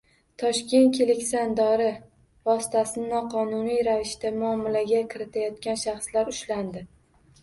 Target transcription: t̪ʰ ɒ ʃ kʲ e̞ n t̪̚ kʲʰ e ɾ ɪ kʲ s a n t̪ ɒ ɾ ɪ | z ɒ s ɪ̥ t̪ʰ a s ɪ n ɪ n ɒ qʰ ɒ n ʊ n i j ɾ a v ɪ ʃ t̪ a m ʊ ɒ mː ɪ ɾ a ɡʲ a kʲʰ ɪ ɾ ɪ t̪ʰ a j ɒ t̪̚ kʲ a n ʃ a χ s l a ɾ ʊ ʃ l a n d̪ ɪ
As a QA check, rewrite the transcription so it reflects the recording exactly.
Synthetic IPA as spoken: t̪ʰ ɒ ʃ kʲ e̞ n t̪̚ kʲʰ e l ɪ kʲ s a n d̪ ɒ ɾ ɪ | v ɒ s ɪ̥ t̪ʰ a s ɪ n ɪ n ɒ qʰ ɒ n ʊ n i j ɾ a v ɪ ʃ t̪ a m ʊ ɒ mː ɪ l a ɡʲ a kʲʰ ɪ ɾ ɪ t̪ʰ a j ɒ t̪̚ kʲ a n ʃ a χ s l a ɾ ʊ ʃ l a n d̪ ɪ